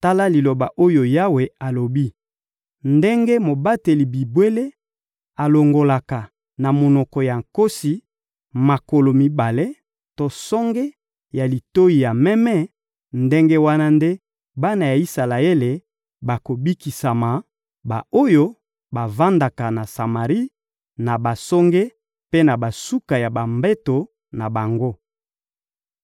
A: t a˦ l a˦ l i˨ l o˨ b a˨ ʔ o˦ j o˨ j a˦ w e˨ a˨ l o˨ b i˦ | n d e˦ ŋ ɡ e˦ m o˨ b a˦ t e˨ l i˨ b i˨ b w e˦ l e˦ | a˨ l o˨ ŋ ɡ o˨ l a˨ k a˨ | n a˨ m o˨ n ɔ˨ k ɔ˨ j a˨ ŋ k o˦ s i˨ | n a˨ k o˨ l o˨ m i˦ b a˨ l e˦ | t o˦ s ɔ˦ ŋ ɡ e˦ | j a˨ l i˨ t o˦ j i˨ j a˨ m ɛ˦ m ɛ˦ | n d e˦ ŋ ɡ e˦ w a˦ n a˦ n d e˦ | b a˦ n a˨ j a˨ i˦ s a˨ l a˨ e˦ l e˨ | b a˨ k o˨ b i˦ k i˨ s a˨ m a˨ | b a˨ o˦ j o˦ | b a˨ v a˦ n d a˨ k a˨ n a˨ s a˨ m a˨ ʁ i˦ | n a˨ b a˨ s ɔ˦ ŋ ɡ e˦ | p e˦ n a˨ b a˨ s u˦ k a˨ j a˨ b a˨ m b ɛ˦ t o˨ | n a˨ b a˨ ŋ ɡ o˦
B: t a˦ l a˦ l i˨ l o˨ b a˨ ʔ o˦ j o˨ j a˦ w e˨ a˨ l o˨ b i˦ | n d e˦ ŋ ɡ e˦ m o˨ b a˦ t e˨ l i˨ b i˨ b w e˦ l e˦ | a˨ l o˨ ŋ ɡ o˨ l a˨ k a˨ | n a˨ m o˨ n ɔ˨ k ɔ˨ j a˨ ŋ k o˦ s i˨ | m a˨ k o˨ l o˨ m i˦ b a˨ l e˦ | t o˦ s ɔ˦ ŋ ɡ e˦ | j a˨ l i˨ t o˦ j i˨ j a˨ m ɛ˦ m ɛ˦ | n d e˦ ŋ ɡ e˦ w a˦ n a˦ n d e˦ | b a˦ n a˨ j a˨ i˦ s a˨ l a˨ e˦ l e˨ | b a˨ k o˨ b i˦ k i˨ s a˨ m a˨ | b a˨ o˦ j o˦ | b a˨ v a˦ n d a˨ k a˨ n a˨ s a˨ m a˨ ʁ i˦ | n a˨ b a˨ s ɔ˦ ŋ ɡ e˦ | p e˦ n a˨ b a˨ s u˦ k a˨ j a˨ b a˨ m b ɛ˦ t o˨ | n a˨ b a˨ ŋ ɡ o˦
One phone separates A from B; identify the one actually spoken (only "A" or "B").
B